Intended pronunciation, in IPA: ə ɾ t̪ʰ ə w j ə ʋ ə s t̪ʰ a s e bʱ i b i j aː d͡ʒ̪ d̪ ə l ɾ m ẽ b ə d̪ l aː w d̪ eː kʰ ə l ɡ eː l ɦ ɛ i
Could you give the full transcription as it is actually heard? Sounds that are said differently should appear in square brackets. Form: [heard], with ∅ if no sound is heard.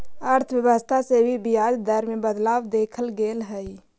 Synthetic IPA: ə ɾ t̪ʰ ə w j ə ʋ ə s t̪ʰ a s e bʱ i b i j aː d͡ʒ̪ d̪ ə [∅] ɾ m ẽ b ə d̪ l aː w d̪ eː kʰ ə l ɡ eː l ɦ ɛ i